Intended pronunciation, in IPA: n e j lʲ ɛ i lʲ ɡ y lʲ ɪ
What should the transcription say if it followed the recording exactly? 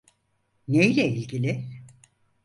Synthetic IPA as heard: n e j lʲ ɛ i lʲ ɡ i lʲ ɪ